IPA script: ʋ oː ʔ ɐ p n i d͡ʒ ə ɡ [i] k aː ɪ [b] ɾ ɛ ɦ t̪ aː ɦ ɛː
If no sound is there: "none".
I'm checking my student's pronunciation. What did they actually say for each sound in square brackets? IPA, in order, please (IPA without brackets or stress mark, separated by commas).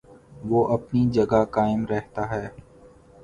a, m